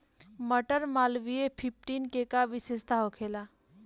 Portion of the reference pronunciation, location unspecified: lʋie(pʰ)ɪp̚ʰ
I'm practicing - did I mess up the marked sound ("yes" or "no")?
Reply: no